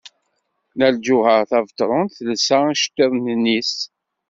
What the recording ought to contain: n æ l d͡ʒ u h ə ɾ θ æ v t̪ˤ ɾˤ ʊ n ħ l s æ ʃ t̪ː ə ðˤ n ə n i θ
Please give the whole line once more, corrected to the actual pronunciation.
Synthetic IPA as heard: n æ l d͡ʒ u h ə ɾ θ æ v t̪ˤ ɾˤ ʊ n θ l s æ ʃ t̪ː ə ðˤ n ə n i s